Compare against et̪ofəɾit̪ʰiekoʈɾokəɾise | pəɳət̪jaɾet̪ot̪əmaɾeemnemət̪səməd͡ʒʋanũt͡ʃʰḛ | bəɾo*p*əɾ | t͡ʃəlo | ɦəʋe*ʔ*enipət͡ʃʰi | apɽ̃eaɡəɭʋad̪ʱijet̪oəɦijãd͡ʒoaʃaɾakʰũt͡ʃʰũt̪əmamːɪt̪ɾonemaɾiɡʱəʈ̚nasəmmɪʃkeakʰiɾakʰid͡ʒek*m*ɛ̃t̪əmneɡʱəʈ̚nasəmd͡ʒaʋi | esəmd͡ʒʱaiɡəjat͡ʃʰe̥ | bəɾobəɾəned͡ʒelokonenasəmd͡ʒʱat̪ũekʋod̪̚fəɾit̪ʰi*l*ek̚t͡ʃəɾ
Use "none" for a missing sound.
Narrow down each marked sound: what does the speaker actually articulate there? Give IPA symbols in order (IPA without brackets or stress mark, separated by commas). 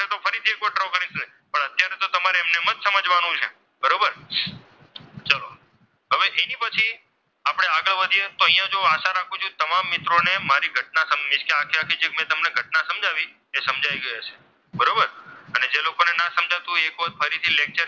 b, ʔ, m, l